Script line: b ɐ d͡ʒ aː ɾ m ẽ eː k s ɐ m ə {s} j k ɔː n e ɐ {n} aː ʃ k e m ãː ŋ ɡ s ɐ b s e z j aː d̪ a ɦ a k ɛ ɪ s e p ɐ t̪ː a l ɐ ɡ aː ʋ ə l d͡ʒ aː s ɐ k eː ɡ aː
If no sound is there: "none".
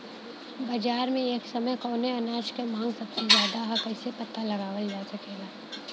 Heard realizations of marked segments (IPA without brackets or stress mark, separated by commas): none, n